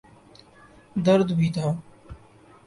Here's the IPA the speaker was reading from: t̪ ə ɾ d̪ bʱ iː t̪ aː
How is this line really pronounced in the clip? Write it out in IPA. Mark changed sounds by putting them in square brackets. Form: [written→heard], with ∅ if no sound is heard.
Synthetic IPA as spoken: [t̪→d̪] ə ɾ d̪ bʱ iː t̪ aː